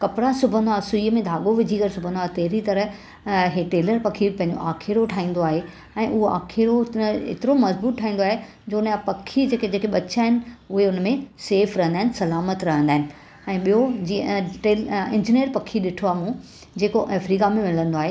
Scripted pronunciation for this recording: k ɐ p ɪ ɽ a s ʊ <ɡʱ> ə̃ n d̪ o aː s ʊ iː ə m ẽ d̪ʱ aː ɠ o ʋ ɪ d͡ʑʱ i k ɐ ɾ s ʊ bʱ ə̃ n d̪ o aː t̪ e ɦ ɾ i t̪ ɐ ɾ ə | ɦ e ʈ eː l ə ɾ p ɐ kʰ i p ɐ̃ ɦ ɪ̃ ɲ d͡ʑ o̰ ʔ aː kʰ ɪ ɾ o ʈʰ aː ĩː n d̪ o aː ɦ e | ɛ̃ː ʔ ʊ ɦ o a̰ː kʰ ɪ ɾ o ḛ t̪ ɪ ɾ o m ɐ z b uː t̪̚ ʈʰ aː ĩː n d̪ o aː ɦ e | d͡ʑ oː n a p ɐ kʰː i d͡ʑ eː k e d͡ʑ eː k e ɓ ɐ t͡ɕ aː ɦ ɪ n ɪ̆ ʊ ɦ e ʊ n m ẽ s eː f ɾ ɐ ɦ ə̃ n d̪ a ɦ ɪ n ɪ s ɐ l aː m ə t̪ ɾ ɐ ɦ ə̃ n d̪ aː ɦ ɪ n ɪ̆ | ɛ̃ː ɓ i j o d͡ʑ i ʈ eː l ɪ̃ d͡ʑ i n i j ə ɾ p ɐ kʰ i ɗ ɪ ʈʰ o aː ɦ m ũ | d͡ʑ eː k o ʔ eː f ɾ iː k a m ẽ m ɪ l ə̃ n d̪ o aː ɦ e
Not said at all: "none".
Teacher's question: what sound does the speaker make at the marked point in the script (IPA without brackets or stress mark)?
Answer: bʱ